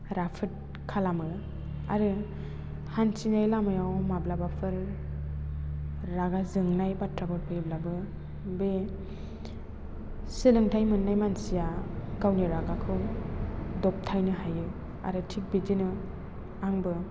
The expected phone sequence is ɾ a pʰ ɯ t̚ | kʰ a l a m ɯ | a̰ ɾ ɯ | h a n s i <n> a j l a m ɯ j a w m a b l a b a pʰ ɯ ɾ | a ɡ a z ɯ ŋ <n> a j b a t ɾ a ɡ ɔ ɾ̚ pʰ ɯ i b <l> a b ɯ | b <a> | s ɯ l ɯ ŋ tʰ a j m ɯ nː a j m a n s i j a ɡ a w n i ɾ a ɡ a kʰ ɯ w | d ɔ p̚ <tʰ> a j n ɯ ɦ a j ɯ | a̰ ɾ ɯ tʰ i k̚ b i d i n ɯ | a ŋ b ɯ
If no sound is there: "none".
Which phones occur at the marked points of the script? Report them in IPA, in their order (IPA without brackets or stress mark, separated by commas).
n, n, l, e, tʰ